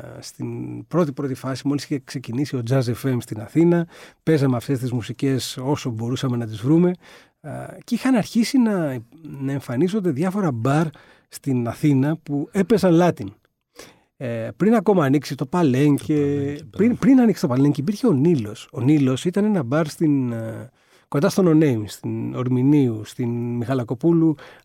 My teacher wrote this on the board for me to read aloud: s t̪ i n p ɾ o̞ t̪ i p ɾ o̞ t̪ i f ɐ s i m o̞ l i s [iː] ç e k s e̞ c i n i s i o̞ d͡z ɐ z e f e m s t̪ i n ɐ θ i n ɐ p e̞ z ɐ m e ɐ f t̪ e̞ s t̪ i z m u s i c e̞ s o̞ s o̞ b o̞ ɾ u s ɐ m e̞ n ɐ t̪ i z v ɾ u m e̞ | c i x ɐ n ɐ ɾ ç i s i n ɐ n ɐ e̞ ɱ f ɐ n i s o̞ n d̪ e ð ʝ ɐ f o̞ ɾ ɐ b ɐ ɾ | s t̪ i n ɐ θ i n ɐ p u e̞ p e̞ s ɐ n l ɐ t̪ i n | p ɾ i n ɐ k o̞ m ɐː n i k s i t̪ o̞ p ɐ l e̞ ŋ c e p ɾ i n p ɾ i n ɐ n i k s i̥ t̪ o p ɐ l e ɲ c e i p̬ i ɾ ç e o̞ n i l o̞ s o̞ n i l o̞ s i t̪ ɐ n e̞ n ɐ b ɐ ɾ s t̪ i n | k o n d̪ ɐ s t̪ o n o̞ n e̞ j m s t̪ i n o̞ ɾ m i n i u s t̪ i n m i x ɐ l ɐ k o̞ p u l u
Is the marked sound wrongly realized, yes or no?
yes